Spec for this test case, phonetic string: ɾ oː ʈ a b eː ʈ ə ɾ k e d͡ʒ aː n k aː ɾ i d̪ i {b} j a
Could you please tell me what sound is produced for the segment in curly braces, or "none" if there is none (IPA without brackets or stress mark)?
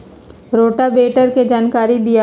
none